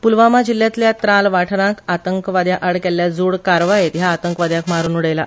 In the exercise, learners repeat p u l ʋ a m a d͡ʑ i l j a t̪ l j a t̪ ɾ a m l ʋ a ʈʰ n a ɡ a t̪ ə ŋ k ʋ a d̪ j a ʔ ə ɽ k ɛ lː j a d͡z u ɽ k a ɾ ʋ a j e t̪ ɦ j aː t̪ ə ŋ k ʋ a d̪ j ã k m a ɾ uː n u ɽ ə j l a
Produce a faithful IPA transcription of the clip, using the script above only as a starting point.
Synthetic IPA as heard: p u l ʋ a m a d͡ʑ i l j a t̪ l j a t̪ ɾ a l ʋ a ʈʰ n a k a t̪ ə ŋ k ʋ a d̪ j a ʔ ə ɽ k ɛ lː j a d͡z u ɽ k a ɾ ʋ a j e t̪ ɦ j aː t̪ ə ŋ k ʋ a d̪ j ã k m a ɾ uː n u ɽ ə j l a